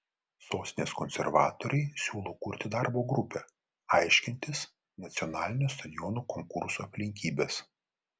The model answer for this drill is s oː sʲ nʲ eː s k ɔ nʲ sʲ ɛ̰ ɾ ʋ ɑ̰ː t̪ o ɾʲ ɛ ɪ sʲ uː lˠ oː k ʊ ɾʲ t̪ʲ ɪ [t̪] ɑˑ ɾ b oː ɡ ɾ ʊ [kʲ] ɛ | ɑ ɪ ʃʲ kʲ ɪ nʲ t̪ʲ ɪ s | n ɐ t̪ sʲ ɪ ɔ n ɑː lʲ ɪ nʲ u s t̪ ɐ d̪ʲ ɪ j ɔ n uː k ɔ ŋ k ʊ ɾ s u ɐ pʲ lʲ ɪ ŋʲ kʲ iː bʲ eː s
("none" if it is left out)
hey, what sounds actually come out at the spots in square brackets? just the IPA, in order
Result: d̪, pʲ

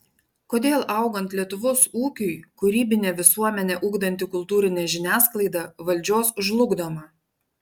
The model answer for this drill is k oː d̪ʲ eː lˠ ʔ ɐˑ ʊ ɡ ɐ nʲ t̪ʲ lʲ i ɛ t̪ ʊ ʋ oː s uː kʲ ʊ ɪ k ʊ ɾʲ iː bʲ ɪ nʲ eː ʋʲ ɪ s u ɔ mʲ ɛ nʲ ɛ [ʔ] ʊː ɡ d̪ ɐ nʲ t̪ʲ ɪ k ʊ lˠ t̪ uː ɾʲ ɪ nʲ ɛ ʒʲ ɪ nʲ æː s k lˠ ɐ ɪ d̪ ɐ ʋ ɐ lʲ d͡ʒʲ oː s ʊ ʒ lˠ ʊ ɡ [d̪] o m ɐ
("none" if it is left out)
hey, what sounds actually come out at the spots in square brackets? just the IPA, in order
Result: ʔ, d̪

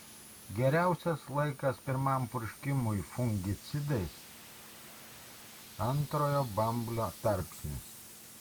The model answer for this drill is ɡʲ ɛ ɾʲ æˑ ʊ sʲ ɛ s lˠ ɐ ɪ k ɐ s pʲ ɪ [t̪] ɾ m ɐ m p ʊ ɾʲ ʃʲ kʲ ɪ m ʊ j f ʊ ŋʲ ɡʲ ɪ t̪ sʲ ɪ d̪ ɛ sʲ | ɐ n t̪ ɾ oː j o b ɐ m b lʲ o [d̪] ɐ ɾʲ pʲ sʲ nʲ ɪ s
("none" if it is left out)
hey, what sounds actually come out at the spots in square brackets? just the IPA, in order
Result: none, t̪

